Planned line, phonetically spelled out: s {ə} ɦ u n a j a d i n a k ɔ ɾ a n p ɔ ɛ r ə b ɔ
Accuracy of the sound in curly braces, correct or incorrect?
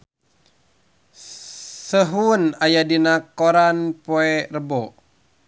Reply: correct